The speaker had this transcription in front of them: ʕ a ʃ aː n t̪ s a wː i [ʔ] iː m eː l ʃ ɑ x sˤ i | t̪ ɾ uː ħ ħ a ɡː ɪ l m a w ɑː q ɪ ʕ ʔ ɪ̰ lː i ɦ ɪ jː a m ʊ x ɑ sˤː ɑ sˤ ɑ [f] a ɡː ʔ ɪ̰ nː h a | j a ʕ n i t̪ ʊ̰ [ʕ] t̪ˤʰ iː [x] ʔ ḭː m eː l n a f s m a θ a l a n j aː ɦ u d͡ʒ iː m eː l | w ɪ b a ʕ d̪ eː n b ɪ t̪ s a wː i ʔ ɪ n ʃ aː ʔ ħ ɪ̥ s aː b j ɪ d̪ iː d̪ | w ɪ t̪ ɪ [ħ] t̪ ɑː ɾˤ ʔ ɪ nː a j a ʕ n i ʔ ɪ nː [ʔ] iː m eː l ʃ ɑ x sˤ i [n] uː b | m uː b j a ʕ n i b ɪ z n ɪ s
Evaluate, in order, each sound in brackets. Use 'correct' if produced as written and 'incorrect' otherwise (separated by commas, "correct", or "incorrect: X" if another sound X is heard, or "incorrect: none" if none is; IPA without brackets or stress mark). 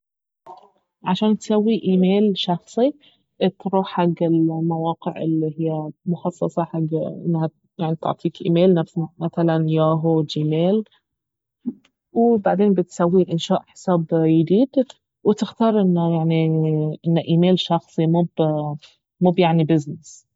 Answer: correct, incorrect: ħ, correct, incorrect: k, incorrect: x, correct, incorrect: m